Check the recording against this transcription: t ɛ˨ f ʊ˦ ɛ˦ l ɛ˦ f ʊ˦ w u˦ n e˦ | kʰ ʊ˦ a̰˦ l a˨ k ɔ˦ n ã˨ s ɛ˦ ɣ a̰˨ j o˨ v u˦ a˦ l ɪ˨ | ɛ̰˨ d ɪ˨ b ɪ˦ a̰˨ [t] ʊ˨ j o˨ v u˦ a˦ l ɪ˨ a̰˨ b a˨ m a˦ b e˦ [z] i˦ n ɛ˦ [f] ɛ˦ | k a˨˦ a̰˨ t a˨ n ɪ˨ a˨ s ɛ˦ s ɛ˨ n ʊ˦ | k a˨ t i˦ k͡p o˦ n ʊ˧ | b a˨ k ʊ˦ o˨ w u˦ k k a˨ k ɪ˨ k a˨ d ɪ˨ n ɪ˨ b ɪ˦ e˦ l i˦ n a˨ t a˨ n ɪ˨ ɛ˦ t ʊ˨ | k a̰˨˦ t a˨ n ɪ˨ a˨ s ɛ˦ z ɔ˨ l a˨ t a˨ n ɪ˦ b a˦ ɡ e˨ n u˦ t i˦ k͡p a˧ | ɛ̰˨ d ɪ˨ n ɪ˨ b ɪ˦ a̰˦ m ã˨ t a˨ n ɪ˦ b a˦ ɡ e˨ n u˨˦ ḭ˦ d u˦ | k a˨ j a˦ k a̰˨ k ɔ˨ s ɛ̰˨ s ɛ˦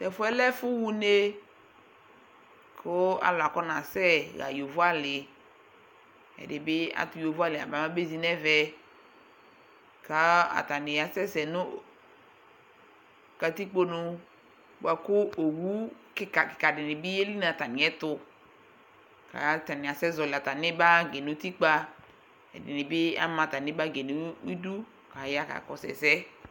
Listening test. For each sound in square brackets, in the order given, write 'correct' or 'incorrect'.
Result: correct, correct, incorrect: v

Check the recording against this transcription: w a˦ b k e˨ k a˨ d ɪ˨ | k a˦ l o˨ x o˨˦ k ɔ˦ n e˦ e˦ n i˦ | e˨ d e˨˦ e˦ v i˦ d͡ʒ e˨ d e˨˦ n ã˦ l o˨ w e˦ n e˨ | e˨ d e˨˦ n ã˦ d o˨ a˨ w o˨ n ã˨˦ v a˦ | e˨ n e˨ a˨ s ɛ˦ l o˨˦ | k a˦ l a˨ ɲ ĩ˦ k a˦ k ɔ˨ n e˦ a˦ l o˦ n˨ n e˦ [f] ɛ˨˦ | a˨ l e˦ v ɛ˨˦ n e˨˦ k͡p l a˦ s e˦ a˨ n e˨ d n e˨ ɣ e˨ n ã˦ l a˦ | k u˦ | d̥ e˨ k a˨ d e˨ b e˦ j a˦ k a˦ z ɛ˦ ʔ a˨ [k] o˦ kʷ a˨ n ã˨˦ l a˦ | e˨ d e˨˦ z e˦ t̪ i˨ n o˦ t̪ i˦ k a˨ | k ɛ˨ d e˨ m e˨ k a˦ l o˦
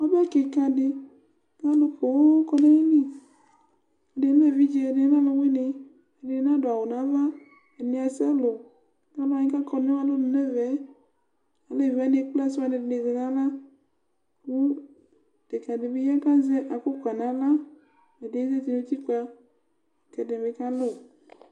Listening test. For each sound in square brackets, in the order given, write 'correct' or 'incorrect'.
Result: incorrect: v, correct

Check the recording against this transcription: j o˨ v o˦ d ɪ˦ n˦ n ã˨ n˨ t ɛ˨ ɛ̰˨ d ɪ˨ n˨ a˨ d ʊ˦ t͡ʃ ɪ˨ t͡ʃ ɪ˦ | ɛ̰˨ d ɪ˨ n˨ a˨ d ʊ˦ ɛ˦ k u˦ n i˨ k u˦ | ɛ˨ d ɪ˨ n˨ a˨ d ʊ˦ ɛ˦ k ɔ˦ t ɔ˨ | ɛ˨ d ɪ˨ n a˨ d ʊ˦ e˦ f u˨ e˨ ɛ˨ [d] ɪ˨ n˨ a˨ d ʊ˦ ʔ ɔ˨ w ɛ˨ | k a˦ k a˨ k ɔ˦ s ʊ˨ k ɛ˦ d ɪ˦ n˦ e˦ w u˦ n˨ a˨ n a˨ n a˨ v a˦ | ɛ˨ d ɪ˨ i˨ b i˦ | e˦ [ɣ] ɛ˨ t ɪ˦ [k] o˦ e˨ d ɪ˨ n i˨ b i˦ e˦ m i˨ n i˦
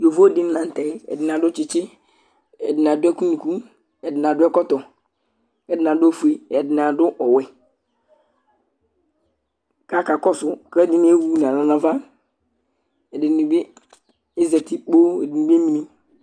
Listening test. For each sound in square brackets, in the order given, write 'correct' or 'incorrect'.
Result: correct, incorrect: z, incorrect: k͡p

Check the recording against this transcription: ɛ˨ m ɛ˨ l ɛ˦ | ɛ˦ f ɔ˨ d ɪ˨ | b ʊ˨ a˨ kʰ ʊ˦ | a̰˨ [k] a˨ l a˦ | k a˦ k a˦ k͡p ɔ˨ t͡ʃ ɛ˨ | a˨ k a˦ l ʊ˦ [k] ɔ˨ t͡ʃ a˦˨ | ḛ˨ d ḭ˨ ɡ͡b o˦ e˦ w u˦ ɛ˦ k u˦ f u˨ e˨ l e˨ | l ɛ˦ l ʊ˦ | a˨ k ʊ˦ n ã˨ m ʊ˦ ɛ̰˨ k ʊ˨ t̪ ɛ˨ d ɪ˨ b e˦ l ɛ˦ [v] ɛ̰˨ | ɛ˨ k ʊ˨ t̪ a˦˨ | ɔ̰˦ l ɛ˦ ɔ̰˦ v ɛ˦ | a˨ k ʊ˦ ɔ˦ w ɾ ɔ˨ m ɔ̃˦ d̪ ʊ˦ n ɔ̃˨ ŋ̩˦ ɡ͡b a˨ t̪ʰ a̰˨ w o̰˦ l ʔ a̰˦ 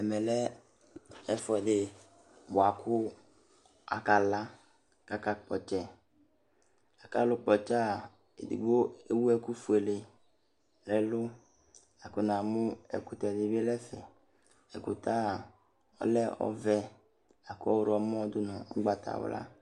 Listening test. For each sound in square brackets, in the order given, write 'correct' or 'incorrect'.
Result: correct, incorrect: k͡p, incorrect: f

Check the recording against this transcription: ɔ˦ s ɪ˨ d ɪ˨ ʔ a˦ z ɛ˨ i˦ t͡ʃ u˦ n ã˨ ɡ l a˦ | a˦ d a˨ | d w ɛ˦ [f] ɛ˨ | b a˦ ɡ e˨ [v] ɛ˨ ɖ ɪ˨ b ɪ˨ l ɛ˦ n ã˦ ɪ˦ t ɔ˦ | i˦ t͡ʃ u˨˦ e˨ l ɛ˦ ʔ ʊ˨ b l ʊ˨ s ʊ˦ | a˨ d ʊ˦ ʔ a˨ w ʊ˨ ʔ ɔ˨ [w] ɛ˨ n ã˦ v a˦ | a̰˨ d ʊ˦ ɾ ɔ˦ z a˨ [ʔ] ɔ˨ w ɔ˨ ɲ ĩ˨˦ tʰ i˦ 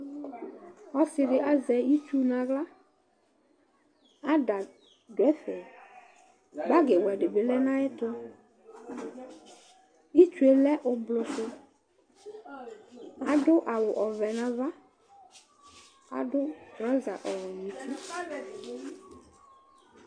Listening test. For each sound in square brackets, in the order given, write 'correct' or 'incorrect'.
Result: correct, incorrect: w, incorrect: v, correct

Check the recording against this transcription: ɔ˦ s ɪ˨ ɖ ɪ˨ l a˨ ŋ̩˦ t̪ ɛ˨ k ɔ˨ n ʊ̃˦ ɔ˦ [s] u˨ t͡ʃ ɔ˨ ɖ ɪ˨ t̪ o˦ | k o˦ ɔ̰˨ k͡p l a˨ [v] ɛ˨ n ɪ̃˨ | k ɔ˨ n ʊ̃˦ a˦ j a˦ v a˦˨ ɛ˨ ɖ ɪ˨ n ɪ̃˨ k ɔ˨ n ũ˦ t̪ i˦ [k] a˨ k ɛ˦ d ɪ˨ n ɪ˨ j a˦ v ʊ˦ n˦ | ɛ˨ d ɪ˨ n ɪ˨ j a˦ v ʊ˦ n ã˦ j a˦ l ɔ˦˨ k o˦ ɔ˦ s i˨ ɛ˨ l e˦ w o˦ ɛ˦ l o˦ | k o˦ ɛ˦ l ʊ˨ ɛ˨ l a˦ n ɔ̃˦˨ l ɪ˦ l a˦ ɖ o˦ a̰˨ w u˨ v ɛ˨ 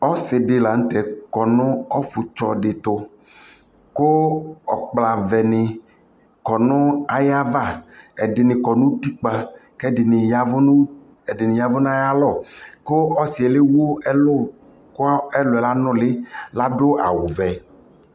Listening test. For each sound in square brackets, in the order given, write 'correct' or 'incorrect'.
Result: incorrect: f, correct, incorrect: k͡p

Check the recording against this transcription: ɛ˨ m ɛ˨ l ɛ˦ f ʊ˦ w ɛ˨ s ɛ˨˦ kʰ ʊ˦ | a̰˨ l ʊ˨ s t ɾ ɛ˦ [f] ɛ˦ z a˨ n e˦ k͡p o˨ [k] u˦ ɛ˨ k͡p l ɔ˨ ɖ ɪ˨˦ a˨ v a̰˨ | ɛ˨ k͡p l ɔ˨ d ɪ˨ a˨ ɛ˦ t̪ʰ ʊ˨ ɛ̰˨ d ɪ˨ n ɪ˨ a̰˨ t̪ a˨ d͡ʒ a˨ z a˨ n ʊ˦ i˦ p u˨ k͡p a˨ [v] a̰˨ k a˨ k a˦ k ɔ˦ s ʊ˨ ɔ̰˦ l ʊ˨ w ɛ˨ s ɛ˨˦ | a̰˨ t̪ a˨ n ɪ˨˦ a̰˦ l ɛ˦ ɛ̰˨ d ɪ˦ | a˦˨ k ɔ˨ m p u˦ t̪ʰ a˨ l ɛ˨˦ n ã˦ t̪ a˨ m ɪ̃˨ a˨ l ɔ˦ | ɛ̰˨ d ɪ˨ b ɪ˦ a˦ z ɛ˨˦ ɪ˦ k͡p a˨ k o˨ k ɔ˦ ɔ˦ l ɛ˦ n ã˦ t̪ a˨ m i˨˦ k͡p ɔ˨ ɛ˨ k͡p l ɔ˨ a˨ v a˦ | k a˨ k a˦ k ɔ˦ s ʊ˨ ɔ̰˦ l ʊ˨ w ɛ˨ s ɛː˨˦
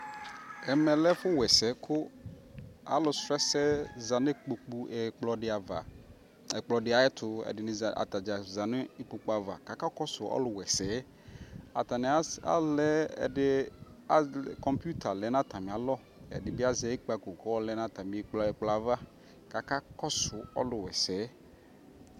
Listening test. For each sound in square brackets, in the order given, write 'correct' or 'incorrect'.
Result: incorrect: s, incorrect: k͡p, correct

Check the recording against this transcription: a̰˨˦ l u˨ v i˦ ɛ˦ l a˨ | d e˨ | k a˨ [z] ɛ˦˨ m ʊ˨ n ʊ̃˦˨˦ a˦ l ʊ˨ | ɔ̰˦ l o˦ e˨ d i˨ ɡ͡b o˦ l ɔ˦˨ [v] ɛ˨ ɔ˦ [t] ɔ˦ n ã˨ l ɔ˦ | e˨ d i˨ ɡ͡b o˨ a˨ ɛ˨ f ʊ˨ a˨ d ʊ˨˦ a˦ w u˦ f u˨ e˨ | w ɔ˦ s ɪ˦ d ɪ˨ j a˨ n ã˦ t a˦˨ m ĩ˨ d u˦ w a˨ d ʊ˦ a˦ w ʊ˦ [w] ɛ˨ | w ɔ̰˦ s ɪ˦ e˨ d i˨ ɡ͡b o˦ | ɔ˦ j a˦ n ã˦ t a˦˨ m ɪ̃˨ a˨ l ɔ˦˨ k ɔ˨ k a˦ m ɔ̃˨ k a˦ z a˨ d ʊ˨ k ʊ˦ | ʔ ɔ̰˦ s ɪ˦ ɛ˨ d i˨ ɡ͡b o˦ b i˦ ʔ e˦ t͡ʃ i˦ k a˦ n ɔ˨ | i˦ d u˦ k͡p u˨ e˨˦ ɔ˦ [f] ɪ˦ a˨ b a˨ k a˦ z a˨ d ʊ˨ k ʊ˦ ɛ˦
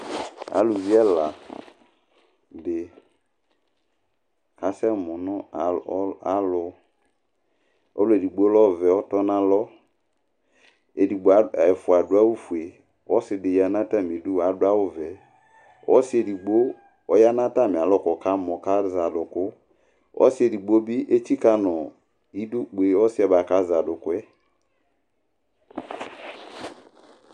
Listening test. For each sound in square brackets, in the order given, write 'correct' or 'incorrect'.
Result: incorrect: s, correct, correct, incorrect: v, incorrect: s

